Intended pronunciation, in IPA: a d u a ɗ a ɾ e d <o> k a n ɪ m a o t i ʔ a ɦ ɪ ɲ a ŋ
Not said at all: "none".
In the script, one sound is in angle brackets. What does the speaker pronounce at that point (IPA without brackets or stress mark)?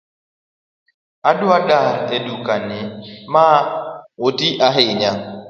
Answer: u